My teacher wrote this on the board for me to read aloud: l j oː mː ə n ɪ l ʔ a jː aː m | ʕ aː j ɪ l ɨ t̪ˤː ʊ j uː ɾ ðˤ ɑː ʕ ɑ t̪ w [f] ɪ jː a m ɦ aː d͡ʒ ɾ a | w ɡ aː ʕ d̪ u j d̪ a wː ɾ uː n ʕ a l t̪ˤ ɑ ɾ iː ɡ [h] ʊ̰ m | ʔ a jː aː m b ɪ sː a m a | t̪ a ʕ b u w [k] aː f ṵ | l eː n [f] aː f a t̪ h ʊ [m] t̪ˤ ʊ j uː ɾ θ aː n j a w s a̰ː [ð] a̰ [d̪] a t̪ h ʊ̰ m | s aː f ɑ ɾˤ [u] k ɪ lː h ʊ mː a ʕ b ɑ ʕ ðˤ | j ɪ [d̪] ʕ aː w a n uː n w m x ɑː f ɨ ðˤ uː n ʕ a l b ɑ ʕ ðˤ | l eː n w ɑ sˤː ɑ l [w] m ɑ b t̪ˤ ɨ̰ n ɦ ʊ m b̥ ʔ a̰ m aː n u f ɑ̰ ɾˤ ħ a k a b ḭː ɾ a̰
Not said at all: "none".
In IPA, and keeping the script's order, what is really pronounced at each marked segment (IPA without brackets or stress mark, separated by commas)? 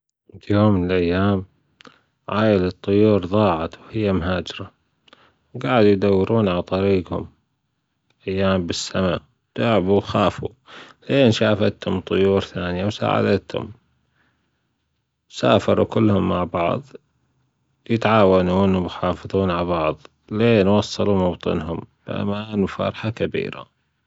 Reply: h, h, x, ʃ, m, ʕ, d̪, u, t̪, u